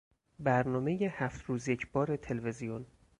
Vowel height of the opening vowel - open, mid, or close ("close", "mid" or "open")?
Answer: open